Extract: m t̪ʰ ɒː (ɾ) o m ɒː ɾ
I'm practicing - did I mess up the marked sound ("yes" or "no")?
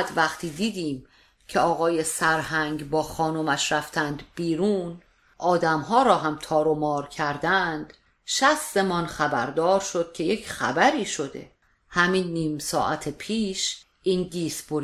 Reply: no